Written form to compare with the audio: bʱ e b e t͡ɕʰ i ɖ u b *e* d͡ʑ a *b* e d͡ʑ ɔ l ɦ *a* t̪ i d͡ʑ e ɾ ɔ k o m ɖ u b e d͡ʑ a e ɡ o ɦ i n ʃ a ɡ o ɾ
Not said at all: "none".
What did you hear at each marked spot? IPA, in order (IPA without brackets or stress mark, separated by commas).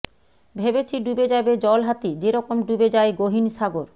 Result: e, b, a